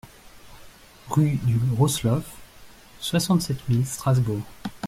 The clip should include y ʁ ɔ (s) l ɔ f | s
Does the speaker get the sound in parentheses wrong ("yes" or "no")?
no